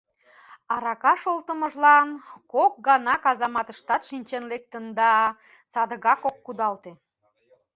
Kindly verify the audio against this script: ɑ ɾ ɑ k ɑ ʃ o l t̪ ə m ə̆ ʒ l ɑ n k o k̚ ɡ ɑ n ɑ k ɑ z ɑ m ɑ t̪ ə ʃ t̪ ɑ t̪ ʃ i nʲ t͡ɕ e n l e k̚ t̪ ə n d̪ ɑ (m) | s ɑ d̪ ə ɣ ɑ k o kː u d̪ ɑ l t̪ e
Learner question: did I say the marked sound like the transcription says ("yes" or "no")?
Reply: no